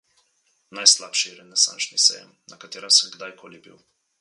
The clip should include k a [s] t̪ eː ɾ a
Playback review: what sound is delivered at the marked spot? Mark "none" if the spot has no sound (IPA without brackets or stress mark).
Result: none